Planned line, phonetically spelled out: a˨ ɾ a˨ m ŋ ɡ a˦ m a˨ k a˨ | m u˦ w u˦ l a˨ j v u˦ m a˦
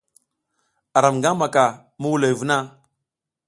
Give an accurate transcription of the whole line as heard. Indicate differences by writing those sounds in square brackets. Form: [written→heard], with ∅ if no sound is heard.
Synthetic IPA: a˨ ɾ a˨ m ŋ ɡ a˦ m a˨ k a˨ | m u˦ w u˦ l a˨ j v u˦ [m→n] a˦